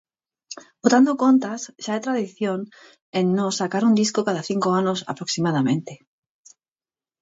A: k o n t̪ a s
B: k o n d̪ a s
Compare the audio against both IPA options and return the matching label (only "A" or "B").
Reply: A